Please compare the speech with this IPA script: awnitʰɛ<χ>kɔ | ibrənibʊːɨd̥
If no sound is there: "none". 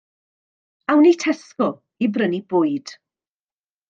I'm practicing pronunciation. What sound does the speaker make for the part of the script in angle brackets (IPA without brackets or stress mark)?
s